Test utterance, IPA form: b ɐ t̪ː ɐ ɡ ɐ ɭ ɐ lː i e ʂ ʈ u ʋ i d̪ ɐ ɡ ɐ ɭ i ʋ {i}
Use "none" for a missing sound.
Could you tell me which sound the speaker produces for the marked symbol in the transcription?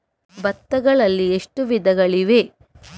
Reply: e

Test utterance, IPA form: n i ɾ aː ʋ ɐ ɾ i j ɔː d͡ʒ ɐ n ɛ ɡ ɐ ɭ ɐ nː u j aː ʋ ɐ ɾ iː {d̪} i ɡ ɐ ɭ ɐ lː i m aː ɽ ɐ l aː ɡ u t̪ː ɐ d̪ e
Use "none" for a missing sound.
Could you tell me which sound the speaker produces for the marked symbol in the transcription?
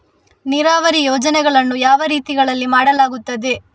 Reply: t̪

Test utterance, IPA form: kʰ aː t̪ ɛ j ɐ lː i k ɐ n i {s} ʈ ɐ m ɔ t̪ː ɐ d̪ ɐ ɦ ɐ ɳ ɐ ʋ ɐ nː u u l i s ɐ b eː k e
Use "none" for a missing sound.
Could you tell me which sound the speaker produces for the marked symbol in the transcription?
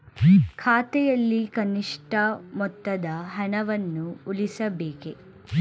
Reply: ʂ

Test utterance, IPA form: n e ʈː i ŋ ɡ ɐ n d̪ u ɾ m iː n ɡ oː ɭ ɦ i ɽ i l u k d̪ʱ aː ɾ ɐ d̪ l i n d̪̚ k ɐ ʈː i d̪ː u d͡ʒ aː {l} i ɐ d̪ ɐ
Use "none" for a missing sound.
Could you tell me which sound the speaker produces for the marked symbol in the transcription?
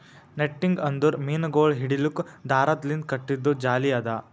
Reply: l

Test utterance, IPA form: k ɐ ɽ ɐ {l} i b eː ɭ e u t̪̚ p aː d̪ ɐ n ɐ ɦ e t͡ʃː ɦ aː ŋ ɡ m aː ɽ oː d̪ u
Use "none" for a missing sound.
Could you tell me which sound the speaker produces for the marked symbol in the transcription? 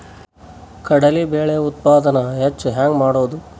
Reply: l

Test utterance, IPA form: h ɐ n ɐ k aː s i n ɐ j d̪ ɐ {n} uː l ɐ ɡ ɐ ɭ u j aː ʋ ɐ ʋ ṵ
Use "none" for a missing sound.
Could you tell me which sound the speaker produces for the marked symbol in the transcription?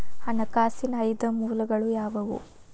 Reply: m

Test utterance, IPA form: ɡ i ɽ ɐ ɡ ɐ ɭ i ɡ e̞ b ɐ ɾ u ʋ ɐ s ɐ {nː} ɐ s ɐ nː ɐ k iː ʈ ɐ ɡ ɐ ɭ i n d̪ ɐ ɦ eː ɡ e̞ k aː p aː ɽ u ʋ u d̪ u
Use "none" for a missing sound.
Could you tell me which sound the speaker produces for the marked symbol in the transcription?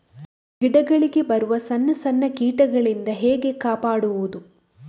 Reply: nː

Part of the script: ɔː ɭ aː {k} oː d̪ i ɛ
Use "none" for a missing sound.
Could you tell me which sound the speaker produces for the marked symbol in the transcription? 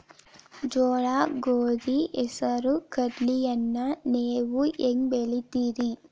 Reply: ɡ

